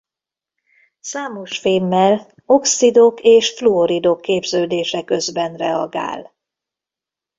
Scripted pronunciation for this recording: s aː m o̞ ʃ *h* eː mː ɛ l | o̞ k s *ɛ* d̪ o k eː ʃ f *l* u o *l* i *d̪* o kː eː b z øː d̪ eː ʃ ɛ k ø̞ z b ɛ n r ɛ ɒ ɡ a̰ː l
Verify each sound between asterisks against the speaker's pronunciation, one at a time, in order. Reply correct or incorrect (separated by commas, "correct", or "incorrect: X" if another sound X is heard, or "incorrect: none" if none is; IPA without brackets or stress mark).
incorrect: f, incorrect: i, correct, incorrect: ɾ, correct